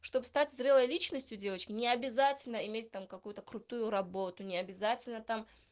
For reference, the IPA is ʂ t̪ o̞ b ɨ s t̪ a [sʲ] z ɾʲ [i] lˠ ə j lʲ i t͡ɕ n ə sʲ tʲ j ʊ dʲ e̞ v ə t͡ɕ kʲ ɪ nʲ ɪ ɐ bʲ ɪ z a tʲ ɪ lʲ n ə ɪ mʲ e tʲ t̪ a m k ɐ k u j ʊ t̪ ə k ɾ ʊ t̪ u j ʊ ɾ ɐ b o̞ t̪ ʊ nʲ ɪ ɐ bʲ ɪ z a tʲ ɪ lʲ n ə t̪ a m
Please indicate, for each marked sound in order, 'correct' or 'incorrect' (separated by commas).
incorrect, incorrect